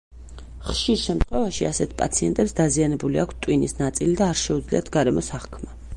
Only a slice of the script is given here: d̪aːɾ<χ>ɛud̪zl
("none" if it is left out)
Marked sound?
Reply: ʃ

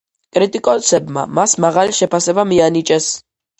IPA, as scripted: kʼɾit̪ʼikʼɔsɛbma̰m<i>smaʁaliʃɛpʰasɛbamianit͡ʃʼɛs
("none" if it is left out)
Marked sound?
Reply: a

